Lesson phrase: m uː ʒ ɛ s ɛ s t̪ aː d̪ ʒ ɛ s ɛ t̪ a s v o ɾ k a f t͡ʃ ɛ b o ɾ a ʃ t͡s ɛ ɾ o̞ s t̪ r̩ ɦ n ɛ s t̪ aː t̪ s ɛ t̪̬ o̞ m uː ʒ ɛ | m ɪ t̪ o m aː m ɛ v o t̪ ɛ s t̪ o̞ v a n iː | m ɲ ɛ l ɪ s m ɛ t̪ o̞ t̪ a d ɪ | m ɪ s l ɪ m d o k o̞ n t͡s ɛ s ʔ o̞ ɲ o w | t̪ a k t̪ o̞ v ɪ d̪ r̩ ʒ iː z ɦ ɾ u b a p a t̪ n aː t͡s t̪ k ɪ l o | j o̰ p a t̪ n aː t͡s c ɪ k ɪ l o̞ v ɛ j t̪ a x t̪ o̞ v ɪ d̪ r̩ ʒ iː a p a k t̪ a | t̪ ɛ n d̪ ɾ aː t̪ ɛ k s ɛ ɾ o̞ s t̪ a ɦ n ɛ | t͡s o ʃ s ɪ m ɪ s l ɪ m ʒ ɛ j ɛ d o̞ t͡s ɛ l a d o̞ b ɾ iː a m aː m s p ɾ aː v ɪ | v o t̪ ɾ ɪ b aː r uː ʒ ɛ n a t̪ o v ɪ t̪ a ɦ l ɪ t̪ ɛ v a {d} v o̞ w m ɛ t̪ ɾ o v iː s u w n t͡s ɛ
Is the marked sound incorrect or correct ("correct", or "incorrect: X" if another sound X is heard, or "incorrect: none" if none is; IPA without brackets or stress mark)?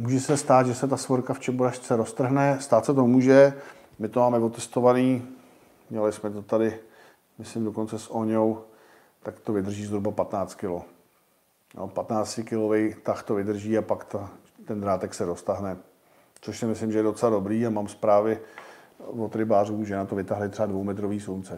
correct